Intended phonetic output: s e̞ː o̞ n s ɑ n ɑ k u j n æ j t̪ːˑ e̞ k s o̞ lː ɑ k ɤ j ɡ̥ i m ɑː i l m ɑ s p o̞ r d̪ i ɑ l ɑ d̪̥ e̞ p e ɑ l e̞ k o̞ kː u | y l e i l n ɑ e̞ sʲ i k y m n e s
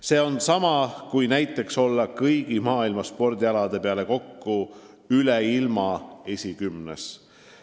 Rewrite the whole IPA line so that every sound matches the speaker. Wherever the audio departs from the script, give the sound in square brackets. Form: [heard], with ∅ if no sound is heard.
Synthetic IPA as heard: s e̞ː o̞ n s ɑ [m] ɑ k u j n æ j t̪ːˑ e̞ k s o̞ lː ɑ k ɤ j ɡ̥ i m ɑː i l m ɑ s p o̞ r d̪ i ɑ l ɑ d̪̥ e̞ p e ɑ l e̞ k o̞ kː u | y l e i l [m] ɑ e̞ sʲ i k y m n e s